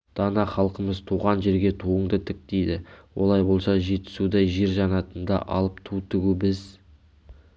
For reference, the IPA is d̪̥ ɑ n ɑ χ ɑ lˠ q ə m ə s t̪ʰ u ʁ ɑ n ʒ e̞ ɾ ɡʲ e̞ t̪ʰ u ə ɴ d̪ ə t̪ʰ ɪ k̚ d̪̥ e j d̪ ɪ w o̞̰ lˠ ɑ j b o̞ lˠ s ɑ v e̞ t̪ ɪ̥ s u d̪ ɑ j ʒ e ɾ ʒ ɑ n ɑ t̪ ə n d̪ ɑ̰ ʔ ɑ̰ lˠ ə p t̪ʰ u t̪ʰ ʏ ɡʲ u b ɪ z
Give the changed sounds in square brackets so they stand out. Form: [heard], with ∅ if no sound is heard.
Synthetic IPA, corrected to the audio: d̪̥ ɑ n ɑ χ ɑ lˠ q ə m ə [z] t̪ʰ u ʁ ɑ n ʒ e̞ ɾ ɡʲ e̞ t̪ʰ u ə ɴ d̪ ə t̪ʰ ɪ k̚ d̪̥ e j d̪ ɪ w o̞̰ lˠ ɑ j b o̞ lˠ s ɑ [ʒ] e̞ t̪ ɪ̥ s u d̪ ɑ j ʒ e ɾ ʒ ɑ n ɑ t̪ ə n d̪ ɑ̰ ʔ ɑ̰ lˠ ə p t̪ʰ u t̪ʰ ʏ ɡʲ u b ɪ z

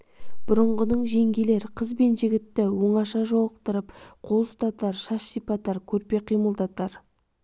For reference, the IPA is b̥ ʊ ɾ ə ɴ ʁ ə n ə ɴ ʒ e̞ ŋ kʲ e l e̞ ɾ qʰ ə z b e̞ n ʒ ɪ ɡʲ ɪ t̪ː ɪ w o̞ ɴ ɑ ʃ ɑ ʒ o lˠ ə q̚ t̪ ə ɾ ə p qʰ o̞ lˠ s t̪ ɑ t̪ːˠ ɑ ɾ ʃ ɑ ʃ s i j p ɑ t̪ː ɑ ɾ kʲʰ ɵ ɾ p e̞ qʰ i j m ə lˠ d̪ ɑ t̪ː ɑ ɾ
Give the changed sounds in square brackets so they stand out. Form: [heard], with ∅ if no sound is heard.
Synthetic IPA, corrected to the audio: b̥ ʊ ɾ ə ɴ ʁ ə n ə ɴ ʒ e̞ ŋ [ɡʲ] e l e̞ ɾ qʰ ə z b e̞ n ʒ ɪ ɡʲ ɪ t̪ː ɪ w o̞ ɴ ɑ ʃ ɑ ʒ o lˠ ə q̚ t̪ ə ɾ ə p qʰ o̞ lˠ s t̪ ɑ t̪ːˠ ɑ ɾ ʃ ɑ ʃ s i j p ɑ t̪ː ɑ ɾ kʲʰ ɵ ɾ p e̞ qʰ i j m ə lˠ d̪ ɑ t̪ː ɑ ɾ

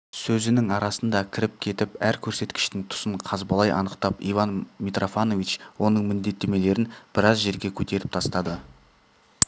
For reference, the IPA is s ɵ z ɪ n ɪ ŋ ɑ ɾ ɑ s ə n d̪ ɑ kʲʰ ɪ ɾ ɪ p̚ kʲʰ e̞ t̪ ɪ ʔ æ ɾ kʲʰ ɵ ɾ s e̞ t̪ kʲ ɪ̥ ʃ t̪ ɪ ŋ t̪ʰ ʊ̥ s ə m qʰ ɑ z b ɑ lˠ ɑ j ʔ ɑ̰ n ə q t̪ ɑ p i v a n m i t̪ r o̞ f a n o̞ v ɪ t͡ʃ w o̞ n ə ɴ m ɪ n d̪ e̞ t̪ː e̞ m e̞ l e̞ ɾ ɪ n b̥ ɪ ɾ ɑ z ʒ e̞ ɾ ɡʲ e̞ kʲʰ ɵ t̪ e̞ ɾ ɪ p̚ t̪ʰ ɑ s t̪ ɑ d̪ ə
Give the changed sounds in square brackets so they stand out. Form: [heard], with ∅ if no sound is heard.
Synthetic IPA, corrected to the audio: s ɵ z ɪ n ɪ ŋ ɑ ɾ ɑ s ə n d̪ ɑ kʲʰ ɪ ɾ ɪ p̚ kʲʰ e̞ t̪ ɪ [p] æ ɾ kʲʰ ɵ ɾ s e̞ t̪ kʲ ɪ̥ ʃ t̪ ɪ ŋ t̪ʰ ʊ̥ s ə [ɴ] qʰ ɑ z b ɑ lˠ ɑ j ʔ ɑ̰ n ə q t̪ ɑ p i v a n m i t̪ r o̞ f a n o̞ v [i] t͡ʃ w o̞ n ə ɴ m ɪ n d̪ e̞ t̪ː e̞ m e̞ l e̞ ɾ ɪ n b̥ ɪ ɾ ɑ z ʒ e̞ ɾ ɡʲ e̞ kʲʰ ɵ t̪ e̞ ɾ ɪ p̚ t̪ʰ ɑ s t̪ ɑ d̪ ə

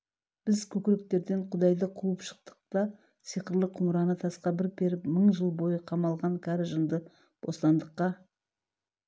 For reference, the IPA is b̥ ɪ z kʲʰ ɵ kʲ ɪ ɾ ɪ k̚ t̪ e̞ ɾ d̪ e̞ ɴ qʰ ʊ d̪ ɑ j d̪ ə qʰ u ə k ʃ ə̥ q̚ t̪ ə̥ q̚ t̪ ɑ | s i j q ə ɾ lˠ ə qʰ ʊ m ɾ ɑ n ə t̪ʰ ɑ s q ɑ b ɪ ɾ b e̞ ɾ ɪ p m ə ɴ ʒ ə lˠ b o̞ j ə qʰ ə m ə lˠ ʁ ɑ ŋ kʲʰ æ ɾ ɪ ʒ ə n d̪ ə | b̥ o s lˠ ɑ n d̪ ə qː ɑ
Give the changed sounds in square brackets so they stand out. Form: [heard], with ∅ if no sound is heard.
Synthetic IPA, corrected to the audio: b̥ ɪ z kʲʰ ɵ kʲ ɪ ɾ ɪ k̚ t̪ e̞ ɾ d̪ e̞ ɴ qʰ ʊ d̪ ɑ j d̪ ə qʰ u ə [p] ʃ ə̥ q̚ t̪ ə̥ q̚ t̪ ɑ | s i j q ə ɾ lˠ ə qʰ ʊ m ɾ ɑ n ə t̪ʰ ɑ s q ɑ b ɪ ɾ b e̞ ɾ ɪ p m ə ɴ ʒ ə lˠ b o̞ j ə qʰ [ɑ] m [ɑ] lˠ ʁ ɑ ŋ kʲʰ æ ɾ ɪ ʒ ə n d̪ ə | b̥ o s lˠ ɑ n d̪ ə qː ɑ

